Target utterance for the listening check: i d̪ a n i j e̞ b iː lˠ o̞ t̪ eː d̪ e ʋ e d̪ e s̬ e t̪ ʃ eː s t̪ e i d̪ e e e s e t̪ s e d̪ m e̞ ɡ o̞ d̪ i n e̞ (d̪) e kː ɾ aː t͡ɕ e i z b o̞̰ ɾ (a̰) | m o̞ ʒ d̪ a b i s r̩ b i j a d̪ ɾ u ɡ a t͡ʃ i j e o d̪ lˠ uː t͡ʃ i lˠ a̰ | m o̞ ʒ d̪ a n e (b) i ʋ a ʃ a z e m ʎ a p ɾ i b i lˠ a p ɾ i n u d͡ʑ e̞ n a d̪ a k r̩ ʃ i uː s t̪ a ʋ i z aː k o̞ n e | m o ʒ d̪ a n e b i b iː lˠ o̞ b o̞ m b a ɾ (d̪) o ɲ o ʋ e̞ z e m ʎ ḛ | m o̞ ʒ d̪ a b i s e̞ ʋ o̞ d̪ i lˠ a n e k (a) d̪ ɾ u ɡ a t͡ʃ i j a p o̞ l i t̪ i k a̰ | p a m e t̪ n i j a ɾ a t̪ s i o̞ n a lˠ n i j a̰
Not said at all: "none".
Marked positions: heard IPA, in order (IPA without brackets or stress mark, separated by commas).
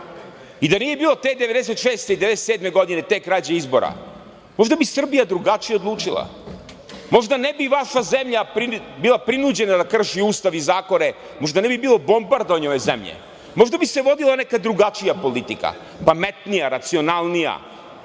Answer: t̪, a̰, b, d̪, a